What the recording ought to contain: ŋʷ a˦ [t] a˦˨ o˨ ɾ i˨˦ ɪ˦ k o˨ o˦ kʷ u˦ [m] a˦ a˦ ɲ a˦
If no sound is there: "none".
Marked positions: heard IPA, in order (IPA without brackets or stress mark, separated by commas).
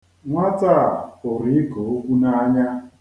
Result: t, n